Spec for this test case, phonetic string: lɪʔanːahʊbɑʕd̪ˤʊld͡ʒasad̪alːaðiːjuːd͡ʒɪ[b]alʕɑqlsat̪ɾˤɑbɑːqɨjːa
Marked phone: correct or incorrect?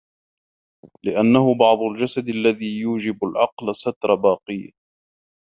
correct